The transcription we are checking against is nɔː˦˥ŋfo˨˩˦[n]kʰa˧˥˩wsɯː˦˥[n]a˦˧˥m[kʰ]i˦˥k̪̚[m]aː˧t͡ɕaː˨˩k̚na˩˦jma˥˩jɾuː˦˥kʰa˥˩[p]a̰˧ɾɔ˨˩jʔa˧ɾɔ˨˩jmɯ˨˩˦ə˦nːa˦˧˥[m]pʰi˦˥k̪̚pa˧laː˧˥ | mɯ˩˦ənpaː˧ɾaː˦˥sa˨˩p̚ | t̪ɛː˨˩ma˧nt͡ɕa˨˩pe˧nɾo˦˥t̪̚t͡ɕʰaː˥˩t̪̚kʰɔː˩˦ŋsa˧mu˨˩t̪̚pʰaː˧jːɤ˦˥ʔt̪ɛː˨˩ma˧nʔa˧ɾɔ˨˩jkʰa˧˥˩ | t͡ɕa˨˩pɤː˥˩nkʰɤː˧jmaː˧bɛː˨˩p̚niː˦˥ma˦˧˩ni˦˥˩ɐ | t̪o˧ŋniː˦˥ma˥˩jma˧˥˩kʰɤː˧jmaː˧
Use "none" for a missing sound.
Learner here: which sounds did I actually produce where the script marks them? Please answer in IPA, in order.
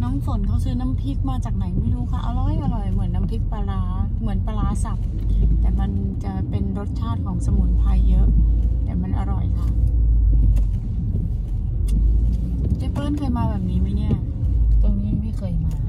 n, n, pʰ, m, ʔ, m

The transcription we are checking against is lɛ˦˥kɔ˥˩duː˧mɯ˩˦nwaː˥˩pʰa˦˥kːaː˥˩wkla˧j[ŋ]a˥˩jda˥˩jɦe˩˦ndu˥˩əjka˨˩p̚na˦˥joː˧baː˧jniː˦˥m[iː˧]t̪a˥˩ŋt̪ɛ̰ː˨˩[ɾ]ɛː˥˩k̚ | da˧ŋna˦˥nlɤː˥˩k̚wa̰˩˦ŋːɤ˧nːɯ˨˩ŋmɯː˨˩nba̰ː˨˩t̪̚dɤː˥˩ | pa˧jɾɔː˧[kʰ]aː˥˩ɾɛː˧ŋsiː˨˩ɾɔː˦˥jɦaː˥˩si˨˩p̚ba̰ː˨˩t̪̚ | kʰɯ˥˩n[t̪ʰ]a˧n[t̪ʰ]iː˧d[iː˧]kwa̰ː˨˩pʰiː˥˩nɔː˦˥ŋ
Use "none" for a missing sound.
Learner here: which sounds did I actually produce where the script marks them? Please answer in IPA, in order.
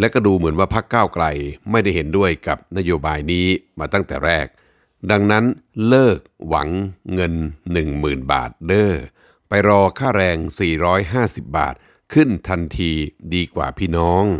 m, aː˧, ɾ, kʰ, t̪ʰ, t̪ʰ, iː˧

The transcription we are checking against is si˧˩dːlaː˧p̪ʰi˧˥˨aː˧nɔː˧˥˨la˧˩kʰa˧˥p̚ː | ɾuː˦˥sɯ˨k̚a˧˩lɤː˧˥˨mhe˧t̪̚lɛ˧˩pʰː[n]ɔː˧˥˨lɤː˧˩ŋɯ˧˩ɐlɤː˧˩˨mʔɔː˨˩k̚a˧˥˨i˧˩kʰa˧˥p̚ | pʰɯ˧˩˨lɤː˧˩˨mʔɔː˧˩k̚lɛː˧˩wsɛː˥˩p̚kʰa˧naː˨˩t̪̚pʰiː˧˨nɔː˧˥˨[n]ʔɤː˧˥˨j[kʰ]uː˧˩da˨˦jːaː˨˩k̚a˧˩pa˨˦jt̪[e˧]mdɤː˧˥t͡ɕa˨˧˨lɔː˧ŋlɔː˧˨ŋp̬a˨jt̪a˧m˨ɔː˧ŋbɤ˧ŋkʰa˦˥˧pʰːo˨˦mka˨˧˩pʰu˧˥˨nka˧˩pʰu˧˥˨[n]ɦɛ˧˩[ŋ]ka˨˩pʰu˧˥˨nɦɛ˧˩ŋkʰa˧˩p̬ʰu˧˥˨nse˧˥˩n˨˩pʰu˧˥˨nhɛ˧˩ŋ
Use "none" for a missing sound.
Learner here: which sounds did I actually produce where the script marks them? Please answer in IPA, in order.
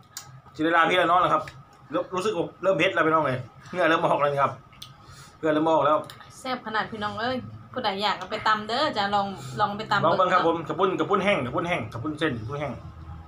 n, ŋ, pʰ, a˧, n, ŋ

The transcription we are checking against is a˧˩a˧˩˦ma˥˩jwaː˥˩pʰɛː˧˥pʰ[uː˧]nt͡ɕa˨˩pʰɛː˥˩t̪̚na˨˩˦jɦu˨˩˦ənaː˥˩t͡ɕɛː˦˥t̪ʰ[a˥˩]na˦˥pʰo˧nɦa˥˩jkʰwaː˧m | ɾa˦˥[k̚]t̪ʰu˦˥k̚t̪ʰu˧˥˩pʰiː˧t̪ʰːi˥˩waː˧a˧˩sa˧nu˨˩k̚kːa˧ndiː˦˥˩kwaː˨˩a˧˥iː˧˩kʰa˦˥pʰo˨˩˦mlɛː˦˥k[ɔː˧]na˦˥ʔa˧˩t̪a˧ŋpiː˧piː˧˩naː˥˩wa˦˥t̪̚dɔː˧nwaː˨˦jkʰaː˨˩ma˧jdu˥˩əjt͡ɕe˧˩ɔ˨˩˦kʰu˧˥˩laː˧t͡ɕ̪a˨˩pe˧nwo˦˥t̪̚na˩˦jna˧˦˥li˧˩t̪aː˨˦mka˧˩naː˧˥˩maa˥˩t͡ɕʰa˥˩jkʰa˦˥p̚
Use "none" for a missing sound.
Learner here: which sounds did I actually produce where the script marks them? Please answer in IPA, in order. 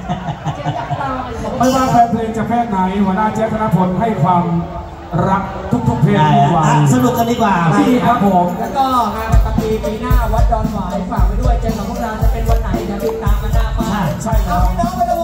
ɯː˧, a˧, k̚, ɔː˥˩

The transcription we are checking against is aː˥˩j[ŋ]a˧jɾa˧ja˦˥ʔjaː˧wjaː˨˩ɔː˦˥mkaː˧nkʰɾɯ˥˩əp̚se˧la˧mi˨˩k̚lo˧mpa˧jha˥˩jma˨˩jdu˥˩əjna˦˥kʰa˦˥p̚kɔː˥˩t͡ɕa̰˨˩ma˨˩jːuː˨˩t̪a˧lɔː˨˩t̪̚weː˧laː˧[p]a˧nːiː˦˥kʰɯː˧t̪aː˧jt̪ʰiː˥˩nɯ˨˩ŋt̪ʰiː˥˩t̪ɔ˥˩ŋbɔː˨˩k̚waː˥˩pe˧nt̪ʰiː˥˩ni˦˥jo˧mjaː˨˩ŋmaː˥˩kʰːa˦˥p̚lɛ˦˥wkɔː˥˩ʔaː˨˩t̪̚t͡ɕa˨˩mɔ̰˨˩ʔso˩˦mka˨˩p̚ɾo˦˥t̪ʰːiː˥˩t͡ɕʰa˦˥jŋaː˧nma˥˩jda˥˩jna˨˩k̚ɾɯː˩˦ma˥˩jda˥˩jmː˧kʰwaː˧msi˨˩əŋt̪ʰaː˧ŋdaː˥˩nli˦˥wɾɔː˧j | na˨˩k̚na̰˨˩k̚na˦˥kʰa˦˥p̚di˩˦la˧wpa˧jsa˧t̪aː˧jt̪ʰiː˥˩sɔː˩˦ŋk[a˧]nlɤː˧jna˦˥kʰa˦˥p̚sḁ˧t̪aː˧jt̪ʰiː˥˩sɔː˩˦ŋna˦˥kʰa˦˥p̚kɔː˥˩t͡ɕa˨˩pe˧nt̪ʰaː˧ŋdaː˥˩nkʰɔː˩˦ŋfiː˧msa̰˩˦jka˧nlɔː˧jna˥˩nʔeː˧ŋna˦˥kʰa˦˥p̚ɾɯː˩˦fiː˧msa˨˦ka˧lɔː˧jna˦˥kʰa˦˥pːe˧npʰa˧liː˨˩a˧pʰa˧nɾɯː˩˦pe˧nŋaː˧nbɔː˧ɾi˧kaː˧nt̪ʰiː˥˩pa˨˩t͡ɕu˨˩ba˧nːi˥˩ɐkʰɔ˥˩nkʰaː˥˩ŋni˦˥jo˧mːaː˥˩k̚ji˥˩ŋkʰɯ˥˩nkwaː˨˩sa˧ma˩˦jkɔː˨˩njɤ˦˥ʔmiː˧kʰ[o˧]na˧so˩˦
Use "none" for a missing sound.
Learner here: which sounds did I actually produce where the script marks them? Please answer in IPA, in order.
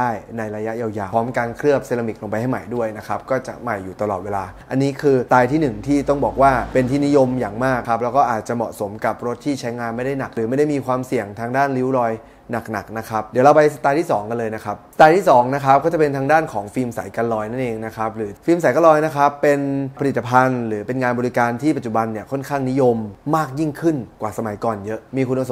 n, ʔ, a˧, u˧

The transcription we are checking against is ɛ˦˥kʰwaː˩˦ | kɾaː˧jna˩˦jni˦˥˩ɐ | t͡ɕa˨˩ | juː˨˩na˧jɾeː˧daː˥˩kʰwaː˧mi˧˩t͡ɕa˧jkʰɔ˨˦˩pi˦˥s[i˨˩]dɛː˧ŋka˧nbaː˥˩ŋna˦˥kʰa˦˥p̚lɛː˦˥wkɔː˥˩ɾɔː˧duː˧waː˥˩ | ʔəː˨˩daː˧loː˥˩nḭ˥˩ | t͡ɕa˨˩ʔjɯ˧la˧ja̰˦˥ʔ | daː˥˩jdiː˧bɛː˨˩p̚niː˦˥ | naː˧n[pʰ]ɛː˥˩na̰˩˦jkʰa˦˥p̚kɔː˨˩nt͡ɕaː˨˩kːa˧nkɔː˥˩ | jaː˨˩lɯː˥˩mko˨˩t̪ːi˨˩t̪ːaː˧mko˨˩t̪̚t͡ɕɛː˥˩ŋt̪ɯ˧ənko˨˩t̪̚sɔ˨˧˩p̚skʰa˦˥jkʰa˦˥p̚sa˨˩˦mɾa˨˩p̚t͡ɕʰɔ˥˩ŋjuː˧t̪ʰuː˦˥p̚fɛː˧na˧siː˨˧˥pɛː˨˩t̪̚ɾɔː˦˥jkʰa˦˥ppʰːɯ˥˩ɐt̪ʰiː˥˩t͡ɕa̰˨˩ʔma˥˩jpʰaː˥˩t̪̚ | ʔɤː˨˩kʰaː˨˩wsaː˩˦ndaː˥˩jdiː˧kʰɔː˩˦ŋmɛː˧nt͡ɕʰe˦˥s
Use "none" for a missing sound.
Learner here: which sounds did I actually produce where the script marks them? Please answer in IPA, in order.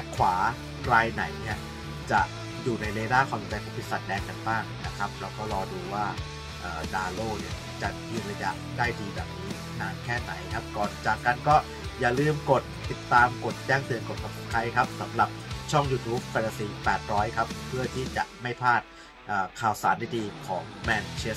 a˨˩, kʰ

